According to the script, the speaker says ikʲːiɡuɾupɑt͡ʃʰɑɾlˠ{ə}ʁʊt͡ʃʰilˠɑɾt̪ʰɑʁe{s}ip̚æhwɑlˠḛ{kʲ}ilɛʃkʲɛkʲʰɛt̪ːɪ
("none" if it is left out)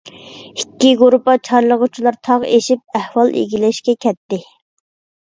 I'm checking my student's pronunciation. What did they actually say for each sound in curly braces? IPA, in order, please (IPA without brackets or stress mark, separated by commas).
ə, ʃ, ɡʲ